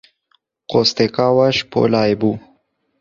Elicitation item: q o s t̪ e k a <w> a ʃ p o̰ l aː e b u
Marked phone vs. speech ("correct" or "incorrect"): correct